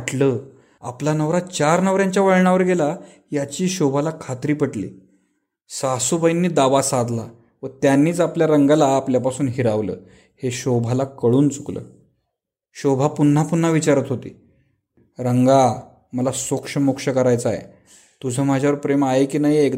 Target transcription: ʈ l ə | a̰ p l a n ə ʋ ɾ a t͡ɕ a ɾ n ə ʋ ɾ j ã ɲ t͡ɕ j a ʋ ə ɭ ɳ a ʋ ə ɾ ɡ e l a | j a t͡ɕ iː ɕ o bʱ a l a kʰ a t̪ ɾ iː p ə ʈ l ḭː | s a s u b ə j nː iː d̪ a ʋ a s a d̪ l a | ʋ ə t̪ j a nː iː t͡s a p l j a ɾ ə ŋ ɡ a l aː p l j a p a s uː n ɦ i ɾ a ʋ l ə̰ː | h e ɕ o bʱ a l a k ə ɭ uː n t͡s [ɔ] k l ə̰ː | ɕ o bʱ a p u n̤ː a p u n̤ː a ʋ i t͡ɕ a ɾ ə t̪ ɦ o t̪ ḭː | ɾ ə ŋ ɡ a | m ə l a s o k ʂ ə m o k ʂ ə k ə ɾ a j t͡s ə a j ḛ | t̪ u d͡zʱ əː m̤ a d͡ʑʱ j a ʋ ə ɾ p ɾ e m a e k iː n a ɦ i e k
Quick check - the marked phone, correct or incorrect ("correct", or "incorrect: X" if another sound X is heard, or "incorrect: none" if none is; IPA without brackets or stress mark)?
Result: incorrect: u